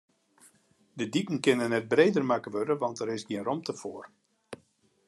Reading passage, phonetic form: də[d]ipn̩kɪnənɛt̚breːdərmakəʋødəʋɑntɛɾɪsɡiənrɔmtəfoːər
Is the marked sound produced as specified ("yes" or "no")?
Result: yes